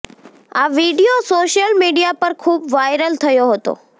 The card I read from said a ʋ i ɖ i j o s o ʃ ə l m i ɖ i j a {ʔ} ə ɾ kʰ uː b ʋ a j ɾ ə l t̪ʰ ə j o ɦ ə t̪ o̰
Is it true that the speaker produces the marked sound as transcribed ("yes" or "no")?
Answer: no